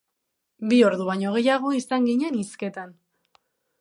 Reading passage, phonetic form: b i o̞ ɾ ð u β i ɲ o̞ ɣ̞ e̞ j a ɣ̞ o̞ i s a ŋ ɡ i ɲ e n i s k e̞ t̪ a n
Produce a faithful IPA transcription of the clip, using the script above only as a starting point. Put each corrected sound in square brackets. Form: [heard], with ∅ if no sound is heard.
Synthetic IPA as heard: b i o̞ ɾ ð u β [a] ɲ o̞ ɣ̞ e̞ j a ɣ̞ o̞ i s a ŋ ɡ i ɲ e n i s k e̞ t̪ a n